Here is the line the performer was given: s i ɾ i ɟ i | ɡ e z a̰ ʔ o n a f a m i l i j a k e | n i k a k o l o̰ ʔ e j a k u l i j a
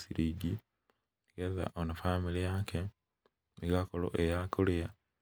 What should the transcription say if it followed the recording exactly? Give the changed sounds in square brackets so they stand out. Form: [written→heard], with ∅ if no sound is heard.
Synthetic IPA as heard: s i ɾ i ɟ i | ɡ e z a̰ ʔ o n a f a m i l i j a k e | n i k a k o l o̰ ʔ e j a k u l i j a